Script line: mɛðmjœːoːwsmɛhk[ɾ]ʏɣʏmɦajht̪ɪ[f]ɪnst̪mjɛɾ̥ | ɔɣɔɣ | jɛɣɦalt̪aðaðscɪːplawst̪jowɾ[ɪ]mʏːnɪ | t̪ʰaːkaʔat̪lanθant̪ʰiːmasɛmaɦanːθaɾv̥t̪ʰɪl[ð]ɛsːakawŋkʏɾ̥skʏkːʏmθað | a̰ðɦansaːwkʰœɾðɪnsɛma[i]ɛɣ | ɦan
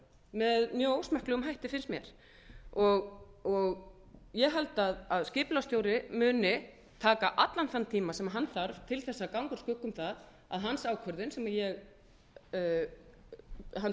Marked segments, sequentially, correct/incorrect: incorrect, correct, correct, incorrect, incorrect

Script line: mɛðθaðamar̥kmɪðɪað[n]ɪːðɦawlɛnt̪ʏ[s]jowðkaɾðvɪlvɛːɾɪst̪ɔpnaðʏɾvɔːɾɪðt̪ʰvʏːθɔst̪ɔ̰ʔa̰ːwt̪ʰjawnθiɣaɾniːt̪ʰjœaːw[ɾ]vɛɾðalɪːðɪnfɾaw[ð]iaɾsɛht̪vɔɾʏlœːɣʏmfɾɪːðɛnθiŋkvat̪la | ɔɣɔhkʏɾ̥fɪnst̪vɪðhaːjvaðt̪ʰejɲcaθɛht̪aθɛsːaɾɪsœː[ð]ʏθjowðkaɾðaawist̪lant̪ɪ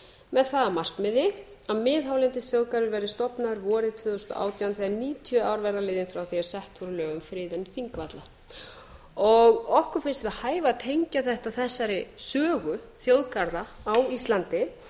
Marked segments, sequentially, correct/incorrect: incorrect, incorrect, correct, incorrect, incorrect

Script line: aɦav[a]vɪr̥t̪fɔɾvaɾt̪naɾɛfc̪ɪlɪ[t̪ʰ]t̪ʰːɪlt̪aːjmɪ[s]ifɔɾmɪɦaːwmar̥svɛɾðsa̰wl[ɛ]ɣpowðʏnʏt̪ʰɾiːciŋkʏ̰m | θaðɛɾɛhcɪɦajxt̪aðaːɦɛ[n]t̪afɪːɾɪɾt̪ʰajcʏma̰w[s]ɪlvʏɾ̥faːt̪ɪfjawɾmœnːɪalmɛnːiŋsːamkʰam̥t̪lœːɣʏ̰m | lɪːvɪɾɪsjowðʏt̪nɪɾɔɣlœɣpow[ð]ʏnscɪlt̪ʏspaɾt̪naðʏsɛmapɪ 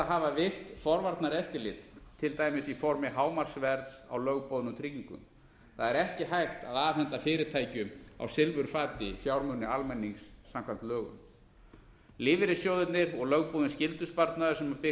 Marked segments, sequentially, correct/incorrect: correct, incorrect, correct, incorrect, correct, correct, correct

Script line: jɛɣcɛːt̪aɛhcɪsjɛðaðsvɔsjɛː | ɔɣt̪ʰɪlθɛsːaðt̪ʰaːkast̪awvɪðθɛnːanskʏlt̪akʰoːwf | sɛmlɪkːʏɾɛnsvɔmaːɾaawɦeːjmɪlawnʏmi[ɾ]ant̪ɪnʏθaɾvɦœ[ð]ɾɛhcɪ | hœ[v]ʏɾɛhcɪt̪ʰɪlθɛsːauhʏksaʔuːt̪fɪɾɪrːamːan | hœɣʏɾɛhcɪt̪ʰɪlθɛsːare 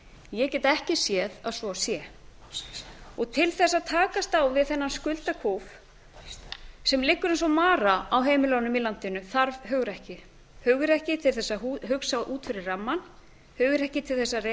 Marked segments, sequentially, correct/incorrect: incorrect, incorrect, incorrect

